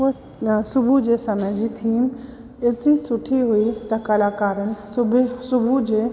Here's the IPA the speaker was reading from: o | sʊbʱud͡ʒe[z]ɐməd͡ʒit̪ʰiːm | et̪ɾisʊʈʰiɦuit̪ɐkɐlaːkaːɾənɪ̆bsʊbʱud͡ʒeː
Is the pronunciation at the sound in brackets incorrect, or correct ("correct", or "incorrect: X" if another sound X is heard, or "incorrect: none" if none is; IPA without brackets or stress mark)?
incorrect: s